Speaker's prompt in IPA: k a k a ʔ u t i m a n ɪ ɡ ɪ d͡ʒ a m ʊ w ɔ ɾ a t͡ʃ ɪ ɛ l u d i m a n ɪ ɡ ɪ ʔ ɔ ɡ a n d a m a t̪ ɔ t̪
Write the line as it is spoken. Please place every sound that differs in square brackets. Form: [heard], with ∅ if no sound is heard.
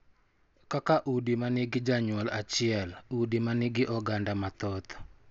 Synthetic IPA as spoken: k a k a ʔ u [d] i m a n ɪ ɡ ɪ d͡ʒ a [ɲ] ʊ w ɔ [l] a t͡ʃ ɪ ɛ l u d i m a n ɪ ɡ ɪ ʔ ɔ ɡ a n d a m a t̪ ɔ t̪